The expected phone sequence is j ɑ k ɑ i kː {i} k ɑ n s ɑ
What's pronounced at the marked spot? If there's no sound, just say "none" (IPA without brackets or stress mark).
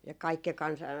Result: e